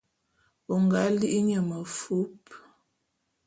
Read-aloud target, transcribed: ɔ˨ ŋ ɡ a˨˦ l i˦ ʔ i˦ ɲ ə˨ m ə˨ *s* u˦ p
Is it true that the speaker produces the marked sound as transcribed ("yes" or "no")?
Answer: no